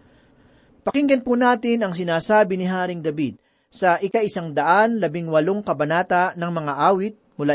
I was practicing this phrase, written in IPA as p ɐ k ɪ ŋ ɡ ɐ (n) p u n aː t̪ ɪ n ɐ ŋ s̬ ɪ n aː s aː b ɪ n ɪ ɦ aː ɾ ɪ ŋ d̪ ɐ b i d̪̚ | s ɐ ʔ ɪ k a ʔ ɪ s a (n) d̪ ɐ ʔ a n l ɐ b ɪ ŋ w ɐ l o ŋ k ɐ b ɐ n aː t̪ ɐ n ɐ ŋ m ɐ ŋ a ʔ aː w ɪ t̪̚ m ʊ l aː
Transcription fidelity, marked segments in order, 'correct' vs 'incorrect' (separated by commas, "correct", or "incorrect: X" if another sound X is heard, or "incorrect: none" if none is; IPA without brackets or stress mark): correct, incorrect: ŋ